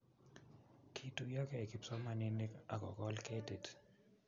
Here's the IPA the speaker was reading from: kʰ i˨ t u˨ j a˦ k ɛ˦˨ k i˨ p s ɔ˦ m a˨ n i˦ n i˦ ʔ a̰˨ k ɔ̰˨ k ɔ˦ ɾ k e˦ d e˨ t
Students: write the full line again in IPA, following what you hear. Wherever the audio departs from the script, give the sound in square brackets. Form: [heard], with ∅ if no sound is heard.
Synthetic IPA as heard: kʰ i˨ t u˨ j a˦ k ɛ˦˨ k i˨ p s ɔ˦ m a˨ n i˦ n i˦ [k] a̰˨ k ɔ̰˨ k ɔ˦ [l] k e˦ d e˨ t

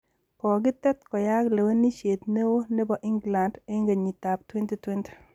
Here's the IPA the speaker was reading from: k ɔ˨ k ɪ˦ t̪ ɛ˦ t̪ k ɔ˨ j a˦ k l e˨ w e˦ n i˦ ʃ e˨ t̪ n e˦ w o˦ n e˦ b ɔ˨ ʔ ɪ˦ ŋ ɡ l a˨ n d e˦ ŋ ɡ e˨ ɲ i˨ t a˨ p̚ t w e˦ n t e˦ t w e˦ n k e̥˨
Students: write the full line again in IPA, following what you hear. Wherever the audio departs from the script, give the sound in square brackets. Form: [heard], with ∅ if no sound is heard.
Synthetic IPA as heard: k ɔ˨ [ɡ] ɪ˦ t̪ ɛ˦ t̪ k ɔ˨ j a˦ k l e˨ w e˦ n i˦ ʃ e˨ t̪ n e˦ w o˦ n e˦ b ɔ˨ ʔ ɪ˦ ŋ ɡ l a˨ n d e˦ ŋ ɡ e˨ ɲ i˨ t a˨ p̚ t w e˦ n t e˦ t w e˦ n [t] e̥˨

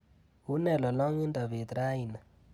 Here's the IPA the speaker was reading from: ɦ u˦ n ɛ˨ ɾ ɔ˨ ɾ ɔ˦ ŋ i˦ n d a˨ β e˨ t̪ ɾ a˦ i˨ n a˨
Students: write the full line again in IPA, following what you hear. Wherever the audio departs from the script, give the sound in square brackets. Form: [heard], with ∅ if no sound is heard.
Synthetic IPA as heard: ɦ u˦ n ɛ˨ [l] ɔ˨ [l] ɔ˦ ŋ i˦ n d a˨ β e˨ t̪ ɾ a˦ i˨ n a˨

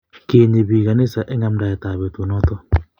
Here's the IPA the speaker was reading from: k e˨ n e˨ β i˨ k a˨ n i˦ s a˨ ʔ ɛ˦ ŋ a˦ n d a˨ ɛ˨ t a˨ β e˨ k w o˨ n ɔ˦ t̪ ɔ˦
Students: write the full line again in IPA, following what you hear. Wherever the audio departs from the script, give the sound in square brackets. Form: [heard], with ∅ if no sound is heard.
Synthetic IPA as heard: k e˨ [ɲ] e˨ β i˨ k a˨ n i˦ s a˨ ʔ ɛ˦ ŋ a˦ [m] d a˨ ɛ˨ t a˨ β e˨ [t] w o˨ n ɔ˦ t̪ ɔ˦

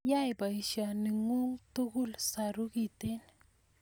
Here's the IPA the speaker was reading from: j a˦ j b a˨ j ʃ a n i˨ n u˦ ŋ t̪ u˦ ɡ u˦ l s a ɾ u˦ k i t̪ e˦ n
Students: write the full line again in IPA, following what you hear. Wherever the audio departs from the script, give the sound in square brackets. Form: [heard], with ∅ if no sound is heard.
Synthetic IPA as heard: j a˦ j b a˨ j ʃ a n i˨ [ŋ] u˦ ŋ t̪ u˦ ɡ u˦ l s a ɾ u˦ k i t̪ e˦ n

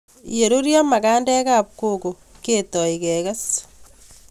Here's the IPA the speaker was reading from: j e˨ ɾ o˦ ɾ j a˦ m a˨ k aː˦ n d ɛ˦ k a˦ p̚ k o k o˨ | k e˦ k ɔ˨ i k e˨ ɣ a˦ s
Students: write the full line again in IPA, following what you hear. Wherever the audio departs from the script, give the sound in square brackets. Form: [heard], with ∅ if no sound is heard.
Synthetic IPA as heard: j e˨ ɾ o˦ ɾ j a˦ m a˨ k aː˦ n d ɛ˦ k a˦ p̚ k o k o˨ | k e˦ [t] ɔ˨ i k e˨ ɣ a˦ s

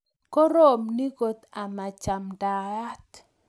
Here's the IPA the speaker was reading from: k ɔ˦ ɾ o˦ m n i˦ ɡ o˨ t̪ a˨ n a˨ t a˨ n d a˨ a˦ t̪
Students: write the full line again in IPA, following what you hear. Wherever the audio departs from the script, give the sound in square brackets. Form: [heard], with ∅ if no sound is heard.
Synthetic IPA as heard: k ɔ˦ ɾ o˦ m n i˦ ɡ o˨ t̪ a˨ [m] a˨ [t͡ʃ] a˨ [m] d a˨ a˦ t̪

